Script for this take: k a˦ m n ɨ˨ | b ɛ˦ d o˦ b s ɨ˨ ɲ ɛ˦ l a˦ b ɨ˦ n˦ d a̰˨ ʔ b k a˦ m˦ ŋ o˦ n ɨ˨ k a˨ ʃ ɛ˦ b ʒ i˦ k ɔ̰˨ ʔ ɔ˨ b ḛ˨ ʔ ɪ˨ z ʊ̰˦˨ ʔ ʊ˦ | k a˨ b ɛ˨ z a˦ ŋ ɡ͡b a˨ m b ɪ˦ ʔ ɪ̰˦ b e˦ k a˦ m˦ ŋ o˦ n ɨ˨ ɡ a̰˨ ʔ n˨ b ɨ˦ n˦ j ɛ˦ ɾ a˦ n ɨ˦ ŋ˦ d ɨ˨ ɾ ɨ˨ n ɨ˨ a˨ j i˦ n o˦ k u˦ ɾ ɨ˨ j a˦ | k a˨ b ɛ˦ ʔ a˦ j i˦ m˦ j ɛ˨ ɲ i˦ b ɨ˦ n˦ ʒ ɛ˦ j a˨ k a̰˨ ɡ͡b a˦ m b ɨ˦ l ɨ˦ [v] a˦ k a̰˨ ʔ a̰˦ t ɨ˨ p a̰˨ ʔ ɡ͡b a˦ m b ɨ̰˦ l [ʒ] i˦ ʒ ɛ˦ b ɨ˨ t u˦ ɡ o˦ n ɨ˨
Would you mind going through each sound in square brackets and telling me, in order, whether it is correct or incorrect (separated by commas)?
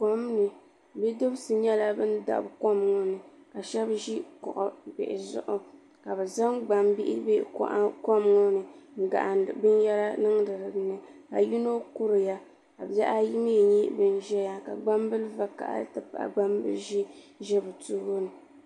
correct, correct